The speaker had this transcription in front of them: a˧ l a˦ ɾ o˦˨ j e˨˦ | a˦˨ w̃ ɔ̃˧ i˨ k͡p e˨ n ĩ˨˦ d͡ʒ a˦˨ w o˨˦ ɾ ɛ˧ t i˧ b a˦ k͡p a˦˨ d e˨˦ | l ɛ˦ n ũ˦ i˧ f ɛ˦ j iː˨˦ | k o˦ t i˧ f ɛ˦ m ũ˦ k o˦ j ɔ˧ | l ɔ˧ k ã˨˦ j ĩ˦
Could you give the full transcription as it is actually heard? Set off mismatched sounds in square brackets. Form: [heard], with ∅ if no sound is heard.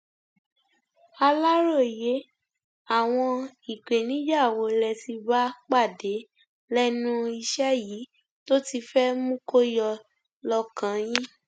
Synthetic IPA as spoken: a˧ l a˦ ɾ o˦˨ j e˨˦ | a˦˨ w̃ ɔ̃˧ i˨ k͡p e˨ n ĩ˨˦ d͡ʒ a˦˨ w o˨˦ [l] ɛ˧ t i˧ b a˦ k͡p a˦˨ d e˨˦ | l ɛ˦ n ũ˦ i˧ [ʃ] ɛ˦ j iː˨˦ | [t] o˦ t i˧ f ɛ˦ m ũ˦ k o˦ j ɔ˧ | l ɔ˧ k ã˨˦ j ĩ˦